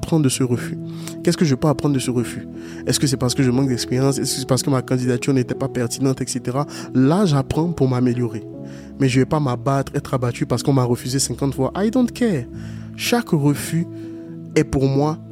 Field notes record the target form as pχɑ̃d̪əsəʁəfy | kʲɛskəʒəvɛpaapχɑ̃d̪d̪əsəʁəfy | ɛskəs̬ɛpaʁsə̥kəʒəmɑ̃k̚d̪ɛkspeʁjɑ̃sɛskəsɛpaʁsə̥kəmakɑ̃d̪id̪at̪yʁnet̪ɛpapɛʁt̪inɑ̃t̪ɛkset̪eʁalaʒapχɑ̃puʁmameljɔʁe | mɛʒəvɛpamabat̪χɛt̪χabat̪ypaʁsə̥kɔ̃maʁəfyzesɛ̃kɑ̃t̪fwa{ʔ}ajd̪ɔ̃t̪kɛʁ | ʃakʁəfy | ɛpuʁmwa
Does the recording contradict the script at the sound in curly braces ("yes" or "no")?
no